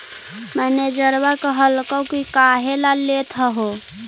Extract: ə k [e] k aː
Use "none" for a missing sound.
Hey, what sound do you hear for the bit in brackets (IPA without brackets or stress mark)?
i